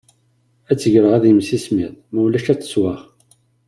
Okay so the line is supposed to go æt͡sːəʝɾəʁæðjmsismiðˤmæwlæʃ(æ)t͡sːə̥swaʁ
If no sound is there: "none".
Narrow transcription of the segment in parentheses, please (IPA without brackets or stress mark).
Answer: æ